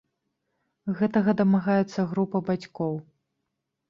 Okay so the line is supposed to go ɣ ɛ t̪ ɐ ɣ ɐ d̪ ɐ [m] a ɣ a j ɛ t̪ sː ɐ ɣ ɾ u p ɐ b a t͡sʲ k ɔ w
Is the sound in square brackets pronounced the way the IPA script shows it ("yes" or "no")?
yes